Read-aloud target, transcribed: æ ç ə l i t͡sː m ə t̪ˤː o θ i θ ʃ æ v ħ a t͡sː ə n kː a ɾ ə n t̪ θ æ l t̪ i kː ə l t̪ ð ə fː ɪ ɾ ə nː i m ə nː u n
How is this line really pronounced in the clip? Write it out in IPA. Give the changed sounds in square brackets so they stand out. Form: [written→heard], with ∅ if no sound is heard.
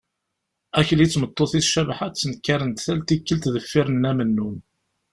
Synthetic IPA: æ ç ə l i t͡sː m ə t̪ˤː o θ i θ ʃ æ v ħ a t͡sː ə n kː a ɾ ə n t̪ θ æ l t̪ i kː ə l t̪ ð ə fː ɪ ɾ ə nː [i→æ] m ə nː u n